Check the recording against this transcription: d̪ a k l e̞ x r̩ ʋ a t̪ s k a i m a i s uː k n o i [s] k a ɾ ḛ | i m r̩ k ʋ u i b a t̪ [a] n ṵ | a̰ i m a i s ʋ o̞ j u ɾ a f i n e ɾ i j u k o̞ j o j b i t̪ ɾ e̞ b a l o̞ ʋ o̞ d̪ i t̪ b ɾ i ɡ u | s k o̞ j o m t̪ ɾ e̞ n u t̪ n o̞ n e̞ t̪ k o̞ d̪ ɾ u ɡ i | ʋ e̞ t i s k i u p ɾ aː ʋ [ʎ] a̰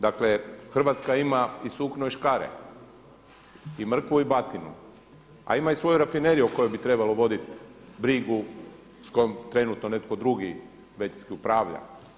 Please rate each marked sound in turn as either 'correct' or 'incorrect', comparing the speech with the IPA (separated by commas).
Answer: incorrect, incorrect, correct